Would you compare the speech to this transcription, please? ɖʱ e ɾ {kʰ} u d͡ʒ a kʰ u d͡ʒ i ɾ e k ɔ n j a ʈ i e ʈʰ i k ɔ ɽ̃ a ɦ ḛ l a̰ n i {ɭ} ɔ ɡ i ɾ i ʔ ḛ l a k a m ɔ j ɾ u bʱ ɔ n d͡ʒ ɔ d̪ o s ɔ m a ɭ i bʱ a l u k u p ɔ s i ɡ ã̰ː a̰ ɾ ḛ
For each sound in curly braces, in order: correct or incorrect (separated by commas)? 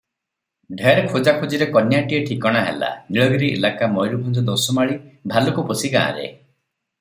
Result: correct, correct